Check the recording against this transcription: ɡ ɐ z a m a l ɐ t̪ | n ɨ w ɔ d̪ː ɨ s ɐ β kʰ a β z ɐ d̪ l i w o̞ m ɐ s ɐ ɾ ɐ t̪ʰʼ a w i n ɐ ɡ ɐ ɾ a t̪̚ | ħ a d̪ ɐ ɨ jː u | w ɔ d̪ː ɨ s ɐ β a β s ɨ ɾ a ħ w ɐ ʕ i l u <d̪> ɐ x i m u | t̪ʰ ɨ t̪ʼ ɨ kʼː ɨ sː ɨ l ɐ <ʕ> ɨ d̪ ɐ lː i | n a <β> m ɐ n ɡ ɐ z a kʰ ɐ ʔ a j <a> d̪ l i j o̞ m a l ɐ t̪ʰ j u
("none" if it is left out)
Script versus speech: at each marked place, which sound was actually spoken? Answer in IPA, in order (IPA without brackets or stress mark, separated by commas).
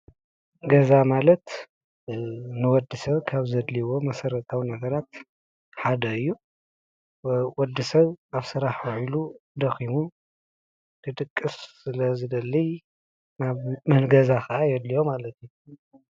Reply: d̪, z, β, ɛ